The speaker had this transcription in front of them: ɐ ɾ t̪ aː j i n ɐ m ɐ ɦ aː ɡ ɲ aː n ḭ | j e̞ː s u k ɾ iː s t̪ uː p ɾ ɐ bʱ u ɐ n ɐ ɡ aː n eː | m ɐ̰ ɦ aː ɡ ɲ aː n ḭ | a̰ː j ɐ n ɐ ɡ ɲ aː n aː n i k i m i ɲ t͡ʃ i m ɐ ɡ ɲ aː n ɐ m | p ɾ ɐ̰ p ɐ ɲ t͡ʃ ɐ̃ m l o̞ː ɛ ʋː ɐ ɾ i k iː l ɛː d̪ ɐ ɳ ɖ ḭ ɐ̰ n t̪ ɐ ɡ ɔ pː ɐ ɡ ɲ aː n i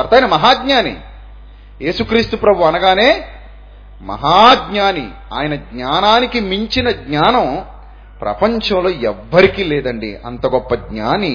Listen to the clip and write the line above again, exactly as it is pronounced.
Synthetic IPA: ɐ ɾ t̪ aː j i n ɐ m ɐ ɦ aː ɡ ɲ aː n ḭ | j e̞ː s u k ɾ iː s t̪ u p ɾ ɐ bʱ u ɐ n ɐ ɡ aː n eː | m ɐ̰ ɦ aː ɡ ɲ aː n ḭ | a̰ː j ɐ n ɐ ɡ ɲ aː n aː n i k i m i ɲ t͡ʃ i n ɐ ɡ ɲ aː n ɐ m | p ɾ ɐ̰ p ɐ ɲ t͡ʃ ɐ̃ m l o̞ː ɛ ʋː ɐ ɾ i k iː l ɛː d̪ ɐ ɳ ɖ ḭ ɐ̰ n t̪ ɐ ɡ ɔ pː ɐ ɡ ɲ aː n i